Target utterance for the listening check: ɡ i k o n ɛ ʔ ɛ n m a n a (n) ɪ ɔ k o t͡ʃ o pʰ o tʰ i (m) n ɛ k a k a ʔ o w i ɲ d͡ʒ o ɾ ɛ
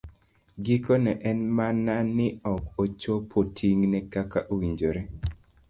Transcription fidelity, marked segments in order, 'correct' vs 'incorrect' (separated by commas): correct, incorrect